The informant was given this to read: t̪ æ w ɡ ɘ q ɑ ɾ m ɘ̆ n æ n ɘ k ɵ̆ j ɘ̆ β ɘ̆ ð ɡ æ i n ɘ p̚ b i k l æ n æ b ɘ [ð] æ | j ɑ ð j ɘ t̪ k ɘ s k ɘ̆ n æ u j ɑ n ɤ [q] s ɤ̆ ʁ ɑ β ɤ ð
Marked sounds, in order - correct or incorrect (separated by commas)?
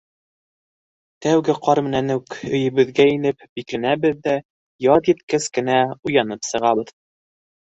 incorrect, incorrect